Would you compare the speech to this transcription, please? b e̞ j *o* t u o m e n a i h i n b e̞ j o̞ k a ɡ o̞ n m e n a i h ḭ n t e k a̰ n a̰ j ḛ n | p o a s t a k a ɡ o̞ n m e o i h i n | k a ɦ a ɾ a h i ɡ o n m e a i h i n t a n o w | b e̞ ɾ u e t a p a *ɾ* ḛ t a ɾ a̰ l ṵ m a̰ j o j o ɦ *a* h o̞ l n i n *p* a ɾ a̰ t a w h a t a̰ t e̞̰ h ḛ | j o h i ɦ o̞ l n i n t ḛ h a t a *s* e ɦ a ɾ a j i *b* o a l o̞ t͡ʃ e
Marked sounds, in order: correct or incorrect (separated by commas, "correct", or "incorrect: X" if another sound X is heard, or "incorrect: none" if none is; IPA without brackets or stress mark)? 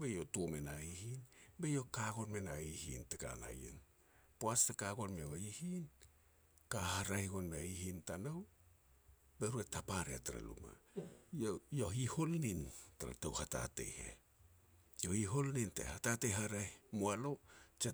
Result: correct, correct, incorrect: i, incorrect: t, incorrect: t, incorrect: m